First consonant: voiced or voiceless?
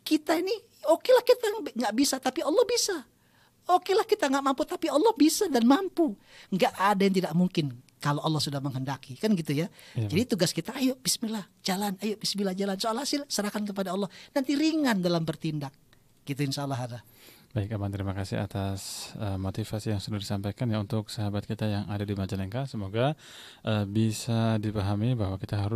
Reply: voiceless